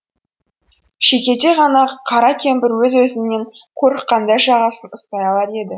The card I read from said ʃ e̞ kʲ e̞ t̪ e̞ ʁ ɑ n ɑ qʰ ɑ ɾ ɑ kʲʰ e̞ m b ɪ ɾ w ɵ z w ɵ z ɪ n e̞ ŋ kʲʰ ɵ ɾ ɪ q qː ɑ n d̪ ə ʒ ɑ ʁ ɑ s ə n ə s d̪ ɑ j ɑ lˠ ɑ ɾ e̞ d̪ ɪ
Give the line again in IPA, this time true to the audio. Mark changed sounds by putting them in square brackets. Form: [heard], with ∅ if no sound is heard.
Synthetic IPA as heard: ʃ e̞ kʲ e̞ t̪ e̞ ʁ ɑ n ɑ qʰ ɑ ɾ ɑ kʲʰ e̞ m b ɪ ɾ w ɵ z w ɵ z ɪ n e̞ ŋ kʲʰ ɵ ɾ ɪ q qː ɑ n d̪ [ɑ] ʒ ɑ ʁ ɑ s ə n ə s [t̪] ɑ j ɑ lˠ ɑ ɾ e̞ d̪ ɪ